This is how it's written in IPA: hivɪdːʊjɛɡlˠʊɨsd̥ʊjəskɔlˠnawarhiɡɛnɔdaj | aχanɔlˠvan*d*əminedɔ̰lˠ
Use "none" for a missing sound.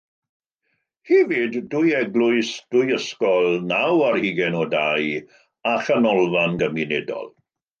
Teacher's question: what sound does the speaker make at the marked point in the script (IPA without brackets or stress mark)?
ɡ